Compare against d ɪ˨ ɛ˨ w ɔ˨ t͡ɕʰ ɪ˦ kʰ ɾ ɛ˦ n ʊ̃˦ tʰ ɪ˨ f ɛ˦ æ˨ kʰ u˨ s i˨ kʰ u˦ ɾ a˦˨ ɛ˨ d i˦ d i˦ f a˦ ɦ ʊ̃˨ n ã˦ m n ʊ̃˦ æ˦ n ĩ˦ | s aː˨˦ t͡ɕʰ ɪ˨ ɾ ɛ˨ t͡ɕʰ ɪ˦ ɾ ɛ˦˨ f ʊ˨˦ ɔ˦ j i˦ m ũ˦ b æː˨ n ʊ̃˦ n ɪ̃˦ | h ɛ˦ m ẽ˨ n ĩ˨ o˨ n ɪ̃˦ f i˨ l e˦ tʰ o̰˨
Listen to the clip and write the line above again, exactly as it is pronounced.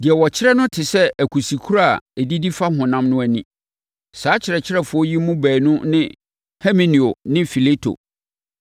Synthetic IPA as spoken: d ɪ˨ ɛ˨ w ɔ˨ t͡ɕʰ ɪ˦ ɾ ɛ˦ n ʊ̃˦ tʰ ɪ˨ s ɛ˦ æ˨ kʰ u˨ s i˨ kʰ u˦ ɾ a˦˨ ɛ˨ d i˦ d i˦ f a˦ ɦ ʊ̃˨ n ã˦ m n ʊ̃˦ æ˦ n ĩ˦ | s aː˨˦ t͡ɕʰ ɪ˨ ɾ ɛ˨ t͡ɕʰ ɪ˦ ɾ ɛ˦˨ f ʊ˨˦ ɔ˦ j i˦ m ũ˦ b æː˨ n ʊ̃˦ n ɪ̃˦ | h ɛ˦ m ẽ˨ n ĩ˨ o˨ n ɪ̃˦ f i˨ l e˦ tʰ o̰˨